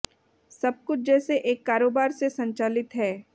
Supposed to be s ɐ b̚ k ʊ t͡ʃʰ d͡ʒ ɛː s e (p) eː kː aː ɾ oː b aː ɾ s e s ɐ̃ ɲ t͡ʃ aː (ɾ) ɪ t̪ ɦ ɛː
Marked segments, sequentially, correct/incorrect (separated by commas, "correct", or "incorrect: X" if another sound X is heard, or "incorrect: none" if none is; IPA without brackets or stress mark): incorrect: ʔ, incorrect: l